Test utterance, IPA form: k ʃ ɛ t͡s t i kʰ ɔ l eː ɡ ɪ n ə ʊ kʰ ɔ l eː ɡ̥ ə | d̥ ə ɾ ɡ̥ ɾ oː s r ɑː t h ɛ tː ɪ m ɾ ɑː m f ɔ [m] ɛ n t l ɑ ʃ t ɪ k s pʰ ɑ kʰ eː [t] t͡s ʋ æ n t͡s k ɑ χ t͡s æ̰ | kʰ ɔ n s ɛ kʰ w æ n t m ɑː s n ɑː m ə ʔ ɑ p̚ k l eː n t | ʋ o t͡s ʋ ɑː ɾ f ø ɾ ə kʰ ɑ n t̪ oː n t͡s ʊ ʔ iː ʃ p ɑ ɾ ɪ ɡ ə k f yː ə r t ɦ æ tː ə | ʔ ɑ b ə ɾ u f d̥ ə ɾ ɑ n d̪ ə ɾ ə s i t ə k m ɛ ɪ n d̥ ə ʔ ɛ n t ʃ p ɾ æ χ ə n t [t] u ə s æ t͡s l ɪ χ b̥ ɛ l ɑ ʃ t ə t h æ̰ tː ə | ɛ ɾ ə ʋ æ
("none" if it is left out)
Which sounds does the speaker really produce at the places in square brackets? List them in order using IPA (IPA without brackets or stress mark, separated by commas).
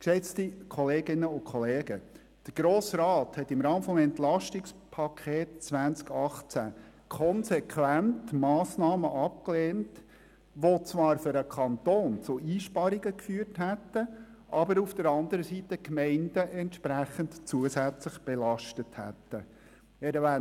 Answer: m, t, t͡s